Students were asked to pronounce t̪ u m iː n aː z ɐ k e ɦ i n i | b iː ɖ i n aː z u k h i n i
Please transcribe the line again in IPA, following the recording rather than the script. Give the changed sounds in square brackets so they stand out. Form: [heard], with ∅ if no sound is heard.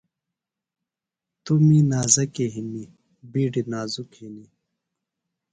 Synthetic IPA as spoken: t̪ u m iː n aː z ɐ k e ɦ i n i | b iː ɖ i n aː z u k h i n i